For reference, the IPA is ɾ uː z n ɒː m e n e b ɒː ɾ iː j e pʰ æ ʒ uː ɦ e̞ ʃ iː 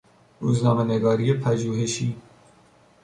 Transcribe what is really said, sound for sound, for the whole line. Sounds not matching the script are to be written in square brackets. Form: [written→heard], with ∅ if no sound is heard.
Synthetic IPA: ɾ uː z n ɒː m e n e [b→ɡ] ɒː ɾ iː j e pʰ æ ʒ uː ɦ e̞ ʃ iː

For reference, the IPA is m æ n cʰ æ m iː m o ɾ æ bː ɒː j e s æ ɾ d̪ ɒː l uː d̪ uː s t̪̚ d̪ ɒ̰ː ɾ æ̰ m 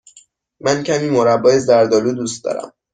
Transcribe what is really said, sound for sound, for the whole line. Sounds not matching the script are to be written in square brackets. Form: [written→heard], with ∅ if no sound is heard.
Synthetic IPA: m æ n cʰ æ m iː m o ɾ æ bː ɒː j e [s→z] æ ɾ d̪ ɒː l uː d̪ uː s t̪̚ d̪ ɒ̰ː ɾ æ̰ m

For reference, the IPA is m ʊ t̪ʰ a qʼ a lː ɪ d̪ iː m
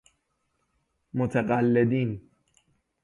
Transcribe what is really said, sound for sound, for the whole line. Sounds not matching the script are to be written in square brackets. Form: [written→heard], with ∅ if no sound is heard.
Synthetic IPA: m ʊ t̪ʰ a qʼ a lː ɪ d̪ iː [m→n]

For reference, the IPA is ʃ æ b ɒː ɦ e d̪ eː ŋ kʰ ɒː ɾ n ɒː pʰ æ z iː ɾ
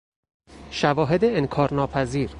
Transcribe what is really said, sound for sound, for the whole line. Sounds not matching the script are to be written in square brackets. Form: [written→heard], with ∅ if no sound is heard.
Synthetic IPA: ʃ æ [b→v] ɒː ɦ e d̪ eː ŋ kʰ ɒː ɾ n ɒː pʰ æ z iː ɾ

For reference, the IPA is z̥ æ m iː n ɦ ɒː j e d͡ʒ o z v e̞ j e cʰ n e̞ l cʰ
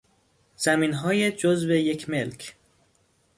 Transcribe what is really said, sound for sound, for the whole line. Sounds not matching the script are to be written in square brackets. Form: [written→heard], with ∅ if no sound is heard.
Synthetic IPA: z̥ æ m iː n ɦ ɒː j e d͡ʒ o z v e̞ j e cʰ [n→m] e̞ l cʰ

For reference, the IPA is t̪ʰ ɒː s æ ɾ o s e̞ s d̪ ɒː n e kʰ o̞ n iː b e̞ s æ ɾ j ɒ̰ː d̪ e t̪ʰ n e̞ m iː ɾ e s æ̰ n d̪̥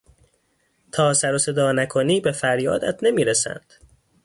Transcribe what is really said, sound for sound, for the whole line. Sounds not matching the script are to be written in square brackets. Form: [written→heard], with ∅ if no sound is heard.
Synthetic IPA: t̪ʰ ɒː s æ ɾ o s e̞ [s→∅] d̪ ɒː n [e→æ] kʰ o̞ n iː b e̞ [s→f] æ ɾ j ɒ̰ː d̪ [e→æ] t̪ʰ n e̞ m iː ɾ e s æ̰ n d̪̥

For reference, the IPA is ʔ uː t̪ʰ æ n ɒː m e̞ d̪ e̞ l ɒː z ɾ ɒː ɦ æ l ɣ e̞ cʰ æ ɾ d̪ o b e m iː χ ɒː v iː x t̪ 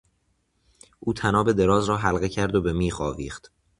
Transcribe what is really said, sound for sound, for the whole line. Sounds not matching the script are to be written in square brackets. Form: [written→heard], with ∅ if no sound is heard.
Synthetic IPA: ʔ uː t̪ʰ æ n ɒː [m→b] e̞ d̪ e̞ [l→ɾ] ɒː z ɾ ɒː ɦ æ l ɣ e̞ cʰ æ ɾ d̪ o b e m iː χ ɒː v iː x t̪

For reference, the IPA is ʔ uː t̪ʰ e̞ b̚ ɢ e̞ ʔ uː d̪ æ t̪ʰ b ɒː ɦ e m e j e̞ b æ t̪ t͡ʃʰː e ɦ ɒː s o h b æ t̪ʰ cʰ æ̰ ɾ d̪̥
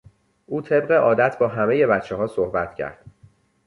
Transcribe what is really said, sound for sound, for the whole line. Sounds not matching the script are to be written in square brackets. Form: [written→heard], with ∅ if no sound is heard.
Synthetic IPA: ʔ uː t̪ʰ e̞ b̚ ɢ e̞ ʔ [uː→ɒː] d̪ æ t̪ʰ b ɒː ɦ [e→æ] m e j e̞ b æ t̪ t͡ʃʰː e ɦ ɒː s o h b æ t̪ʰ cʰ æ̰ ɾ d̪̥

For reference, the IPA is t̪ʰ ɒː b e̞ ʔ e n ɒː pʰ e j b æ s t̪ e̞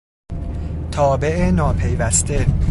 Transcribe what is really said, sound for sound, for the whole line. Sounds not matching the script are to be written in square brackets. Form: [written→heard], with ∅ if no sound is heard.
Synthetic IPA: t̪ʰ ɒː b e̞ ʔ e n ɒː pʰ e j [b→v] æ s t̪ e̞

